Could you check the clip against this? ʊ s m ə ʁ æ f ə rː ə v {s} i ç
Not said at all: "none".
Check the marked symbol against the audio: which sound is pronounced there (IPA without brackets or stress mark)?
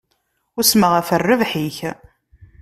ħ